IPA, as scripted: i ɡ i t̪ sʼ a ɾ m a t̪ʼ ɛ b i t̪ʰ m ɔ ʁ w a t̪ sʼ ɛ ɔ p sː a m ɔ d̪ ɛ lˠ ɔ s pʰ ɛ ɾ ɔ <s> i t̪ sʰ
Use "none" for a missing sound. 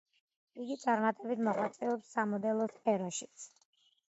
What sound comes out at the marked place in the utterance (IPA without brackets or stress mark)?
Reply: ʃ